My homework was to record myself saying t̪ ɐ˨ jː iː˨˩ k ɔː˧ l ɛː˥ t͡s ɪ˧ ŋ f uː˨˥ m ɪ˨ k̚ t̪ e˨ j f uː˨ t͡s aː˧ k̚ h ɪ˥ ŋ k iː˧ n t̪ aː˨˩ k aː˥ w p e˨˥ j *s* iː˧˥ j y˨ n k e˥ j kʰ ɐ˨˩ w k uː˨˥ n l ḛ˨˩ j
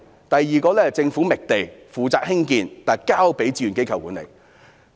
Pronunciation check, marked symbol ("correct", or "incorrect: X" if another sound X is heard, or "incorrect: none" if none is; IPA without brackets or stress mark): incorrect: t͡s